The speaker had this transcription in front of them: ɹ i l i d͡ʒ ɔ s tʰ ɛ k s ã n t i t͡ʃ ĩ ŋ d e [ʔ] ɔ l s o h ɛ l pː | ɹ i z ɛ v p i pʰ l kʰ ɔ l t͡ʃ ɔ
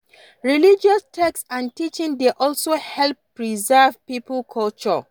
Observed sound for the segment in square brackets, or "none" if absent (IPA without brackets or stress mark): ʔ